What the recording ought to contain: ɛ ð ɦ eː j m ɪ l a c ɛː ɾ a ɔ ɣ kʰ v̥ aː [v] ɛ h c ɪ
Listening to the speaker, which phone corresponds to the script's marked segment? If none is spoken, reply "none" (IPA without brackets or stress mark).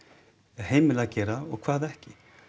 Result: ð